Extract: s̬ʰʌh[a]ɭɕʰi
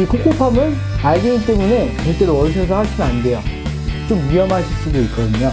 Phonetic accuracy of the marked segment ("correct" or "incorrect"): correct